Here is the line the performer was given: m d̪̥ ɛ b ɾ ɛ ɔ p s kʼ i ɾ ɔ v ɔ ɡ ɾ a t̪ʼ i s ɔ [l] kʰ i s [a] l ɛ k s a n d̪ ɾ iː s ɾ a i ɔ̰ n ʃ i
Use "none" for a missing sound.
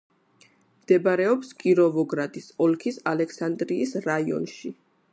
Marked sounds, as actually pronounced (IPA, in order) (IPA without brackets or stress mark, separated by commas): l, a